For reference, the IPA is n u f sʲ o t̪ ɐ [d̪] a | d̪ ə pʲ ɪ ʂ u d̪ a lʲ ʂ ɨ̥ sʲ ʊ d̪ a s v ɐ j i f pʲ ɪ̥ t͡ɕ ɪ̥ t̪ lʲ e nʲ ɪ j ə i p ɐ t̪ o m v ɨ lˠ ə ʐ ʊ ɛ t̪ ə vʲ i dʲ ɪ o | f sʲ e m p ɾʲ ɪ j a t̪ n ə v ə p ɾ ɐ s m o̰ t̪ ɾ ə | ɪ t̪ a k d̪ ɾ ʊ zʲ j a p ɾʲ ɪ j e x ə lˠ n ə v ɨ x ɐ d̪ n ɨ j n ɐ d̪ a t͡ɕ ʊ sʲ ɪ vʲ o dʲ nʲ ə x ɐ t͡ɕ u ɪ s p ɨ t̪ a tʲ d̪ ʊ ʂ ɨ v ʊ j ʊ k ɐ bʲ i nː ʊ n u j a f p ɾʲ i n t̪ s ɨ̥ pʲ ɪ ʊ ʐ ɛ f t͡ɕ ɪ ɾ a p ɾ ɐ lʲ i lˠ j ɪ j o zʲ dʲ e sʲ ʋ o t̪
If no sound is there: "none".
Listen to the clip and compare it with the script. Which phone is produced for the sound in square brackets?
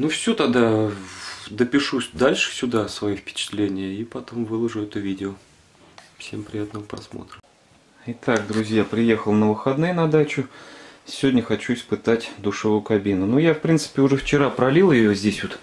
d̪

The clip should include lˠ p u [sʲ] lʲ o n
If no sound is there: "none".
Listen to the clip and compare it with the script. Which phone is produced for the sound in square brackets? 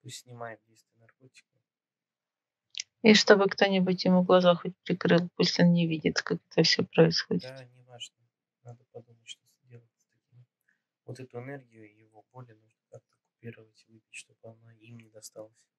sʲ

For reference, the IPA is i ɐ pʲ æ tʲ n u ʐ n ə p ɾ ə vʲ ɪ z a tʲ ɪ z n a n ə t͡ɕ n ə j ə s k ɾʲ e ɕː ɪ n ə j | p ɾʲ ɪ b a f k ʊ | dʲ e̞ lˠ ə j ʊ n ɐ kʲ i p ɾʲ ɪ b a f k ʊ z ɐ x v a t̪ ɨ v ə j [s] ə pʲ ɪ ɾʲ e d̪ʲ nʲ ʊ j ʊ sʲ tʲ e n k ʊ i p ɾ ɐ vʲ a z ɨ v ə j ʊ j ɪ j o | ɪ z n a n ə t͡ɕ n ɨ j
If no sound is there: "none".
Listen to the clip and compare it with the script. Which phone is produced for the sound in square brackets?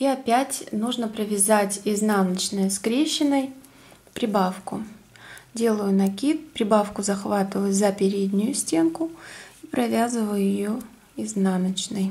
z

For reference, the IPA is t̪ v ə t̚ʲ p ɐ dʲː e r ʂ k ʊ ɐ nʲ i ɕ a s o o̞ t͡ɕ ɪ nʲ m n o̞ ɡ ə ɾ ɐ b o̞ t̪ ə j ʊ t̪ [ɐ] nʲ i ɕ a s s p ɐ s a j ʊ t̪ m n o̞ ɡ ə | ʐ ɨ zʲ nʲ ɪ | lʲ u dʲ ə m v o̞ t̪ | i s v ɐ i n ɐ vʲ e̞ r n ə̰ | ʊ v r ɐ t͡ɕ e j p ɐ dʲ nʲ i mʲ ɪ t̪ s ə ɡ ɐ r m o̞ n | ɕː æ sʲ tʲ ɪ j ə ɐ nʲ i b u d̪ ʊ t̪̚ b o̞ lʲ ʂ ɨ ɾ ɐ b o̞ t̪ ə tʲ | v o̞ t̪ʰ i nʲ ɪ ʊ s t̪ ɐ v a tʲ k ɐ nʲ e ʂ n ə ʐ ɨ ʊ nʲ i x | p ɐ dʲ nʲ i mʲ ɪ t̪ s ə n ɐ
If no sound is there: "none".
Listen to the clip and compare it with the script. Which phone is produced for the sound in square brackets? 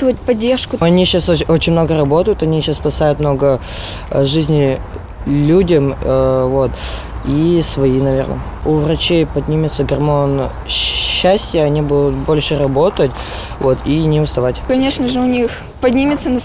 ɐ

